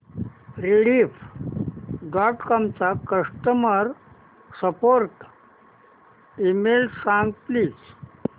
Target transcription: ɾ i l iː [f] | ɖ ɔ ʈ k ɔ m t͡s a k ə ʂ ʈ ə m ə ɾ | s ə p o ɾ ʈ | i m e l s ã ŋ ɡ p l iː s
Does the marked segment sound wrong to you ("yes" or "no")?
no